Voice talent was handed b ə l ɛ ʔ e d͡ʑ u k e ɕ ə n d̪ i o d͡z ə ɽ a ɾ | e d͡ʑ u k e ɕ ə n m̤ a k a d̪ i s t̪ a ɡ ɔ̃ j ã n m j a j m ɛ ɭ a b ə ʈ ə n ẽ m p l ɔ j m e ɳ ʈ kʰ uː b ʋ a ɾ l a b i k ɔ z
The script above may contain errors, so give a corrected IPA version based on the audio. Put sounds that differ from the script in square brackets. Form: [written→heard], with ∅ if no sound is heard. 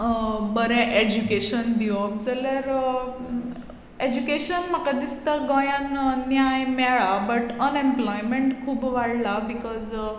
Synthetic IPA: b ə [l→ɾ] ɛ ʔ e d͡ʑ u k e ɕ ə n d̪ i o d͡z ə [ɽ→l] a ɾ | e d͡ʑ u k e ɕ ə n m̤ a k a d̪ i s t̪ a ɡ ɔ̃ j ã n [m→n] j a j m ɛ ɭ a b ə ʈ ə n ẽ m p l ɔ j m e ɳ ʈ kʰ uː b ʋ a [ɾ→ɽ] l a b i k ɔ z